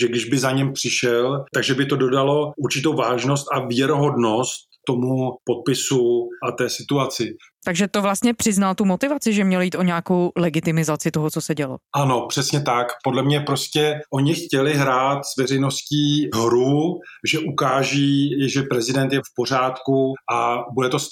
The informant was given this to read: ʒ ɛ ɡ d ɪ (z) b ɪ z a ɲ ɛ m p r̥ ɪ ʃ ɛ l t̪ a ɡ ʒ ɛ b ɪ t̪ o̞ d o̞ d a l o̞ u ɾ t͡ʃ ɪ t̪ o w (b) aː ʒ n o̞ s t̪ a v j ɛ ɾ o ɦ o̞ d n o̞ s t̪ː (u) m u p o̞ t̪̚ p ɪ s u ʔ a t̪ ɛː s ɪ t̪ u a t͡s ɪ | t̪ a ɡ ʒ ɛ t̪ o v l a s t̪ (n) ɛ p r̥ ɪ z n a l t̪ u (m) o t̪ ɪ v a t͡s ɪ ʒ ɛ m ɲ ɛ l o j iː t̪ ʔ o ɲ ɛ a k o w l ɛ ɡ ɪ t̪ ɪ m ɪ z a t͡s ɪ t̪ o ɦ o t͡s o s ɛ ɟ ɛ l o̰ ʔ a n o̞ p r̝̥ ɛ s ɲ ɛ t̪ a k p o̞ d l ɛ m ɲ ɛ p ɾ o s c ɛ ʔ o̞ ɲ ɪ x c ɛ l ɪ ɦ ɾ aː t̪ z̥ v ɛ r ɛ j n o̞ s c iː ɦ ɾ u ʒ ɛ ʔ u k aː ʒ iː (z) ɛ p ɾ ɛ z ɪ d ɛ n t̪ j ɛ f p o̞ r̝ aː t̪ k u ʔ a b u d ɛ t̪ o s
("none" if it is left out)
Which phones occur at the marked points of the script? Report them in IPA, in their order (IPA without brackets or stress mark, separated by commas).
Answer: ʒ, v, o, ɲ, m, ʒ